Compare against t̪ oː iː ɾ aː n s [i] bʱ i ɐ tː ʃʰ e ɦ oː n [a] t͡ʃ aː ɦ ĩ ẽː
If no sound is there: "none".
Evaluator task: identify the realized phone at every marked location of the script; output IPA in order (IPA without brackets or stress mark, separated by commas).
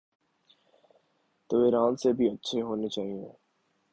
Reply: e, e